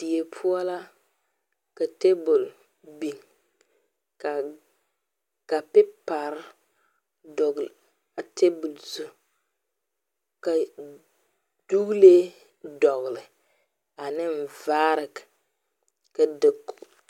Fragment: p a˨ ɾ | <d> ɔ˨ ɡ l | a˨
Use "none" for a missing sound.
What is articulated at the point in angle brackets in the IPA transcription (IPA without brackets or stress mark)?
d